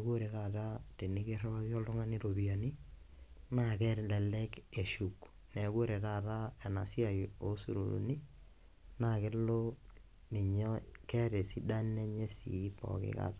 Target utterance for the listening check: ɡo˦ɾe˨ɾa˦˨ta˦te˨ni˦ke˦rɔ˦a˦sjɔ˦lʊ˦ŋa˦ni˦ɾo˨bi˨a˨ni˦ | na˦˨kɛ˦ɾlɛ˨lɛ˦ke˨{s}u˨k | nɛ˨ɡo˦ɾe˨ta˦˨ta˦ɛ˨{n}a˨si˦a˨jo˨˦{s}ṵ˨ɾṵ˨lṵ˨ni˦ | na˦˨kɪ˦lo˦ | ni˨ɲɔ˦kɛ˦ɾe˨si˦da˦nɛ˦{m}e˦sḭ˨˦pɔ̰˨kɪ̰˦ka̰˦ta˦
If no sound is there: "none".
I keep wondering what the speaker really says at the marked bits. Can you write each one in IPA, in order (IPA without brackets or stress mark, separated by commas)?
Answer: ʃ, n, s, ɲ